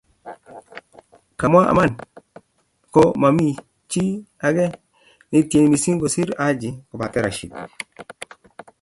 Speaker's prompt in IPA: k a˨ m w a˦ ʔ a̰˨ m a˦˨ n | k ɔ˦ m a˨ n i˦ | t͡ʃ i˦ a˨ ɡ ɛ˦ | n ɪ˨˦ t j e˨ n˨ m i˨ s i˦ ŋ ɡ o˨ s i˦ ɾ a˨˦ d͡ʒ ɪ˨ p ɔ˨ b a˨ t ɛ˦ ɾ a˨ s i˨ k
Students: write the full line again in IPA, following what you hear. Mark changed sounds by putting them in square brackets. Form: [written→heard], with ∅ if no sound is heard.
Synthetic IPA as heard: k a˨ m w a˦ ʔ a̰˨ m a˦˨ n | k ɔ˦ m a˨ [n→m] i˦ | t͡ʃ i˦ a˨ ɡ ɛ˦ | n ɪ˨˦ t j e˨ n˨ m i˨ s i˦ ŋ ɡ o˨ s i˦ ɾ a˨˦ d͡ʒ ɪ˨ [p→k] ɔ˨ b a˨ t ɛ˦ ɾ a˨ [s→ʃ] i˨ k

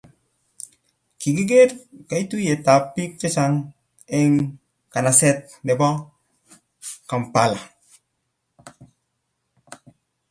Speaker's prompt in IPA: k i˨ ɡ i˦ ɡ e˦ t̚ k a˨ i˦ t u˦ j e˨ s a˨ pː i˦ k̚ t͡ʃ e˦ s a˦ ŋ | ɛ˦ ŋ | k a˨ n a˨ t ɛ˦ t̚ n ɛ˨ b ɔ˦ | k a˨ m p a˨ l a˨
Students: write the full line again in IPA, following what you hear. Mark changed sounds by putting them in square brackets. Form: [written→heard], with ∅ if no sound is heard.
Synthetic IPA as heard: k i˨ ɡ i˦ ɡ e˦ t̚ k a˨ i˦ t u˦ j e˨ [s→t] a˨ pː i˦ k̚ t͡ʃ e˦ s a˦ ŋ | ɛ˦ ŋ | k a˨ n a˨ [t→s] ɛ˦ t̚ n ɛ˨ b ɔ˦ | k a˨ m p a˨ l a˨

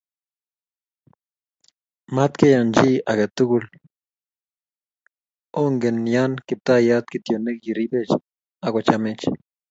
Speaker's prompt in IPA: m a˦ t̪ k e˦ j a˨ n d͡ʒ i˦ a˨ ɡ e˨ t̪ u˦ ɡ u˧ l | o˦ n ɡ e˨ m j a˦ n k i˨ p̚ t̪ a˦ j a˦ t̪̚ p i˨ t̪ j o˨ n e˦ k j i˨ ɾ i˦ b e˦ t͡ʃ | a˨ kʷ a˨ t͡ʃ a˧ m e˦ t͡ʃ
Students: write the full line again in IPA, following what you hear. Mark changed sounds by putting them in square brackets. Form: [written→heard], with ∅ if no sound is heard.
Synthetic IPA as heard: m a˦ t̪ k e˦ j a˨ n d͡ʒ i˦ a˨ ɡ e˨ t̪ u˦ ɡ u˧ l | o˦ [n→ŋ] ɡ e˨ [m→n] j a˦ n k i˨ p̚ t̪ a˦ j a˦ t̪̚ [p→k] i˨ t̪ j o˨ n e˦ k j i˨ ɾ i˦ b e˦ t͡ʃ | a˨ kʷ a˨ t͡ʃ a˧ m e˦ t͡ʃ

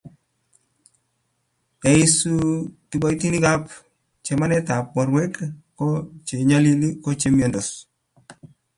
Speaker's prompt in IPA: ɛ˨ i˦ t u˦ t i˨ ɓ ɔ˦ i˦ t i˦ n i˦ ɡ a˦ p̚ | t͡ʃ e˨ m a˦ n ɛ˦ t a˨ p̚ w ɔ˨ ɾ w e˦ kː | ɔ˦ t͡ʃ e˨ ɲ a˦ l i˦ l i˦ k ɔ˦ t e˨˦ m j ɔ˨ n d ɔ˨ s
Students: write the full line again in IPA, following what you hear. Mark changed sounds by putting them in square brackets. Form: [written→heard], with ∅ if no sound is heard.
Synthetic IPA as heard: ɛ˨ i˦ [t→s] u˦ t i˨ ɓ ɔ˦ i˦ t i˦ n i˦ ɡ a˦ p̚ | t͡ʃ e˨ m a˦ n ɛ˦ t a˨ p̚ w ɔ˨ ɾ w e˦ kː | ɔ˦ t͡ʃ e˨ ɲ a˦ l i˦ l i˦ k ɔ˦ [t→t͡ʃ] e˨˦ m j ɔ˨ n d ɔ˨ s

